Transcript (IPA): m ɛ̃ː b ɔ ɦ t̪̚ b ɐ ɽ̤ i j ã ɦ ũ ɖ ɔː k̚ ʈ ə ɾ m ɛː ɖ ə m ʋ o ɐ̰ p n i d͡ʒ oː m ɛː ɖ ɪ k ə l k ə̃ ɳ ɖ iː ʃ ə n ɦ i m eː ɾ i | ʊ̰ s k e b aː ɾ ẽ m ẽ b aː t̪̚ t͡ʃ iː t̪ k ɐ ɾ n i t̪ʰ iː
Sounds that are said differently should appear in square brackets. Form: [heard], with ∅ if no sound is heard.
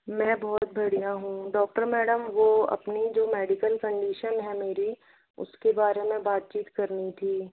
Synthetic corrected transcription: m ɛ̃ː b ɔ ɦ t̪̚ b ɐ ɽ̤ i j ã ɦ ũ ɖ ɔː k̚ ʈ ə ɾ m ɛː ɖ ə m ʋ o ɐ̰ p n i d͡ʒ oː m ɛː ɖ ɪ k ə l k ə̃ ɳ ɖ iː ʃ ə n ɦ [ɛ] m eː ɾ i | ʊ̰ s k e b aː ɾ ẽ m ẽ b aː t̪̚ t͡ʃ iː t̪ k ɐ ɾ n i t̪ʰ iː